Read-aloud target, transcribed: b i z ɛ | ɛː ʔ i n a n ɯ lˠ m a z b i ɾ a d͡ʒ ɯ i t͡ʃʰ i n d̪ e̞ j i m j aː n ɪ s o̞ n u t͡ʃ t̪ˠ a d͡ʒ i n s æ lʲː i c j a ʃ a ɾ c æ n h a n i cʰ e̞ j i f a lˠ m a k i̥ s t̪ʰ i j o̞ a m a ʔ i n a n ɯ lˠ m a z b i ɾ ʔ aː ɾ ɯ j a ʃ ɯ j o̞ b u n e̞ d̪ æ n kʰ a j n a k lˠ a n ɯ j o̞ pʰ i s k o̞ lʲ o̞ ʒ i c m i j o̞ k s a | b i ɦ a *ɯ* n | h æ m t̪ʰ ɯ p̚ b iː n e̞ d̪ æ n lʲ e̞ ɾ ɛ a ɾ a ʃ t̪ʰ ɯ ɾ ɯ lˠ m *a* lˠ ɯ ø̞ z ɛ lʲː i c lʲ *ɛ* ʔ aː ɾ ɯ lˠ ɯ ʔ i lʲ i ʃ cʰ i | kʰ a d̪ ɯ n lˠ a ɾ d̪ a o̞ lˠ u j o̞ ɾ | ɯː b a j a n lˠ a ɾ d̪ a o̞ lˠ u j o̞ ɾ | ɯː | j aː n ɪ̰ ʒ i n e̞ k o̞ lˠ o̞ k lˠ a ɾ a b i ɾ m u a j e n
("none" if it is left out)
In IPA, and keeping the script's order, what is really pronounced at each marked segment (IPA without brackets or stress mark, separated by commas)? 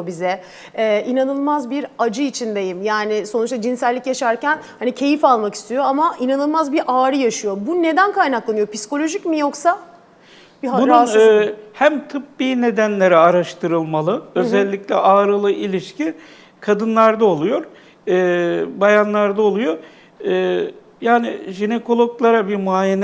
u, a, ɛ